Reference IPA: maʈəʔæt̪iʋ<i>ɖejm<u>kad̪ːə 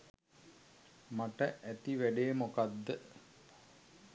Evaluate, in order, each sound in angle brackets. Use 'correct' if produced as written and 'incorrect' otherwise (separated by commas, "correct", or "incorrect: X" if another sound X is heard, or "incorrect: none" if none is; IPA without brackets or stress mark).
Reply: incorrect: æ, incorrect: o